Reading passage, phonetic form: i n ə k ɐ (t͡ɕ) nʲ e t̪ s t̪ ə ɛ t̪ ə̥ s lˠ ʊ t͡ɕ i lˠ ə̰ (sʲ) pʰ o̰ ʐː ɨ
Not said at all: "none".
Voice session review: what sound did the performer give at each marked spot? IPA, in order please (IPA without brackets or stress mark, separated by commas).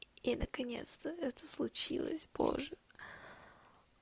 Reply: none, sʲ